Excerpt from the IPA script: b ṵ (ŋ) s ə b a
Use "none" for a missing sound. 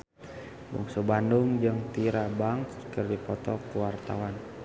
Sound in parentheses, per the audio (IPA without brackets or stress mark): ŋ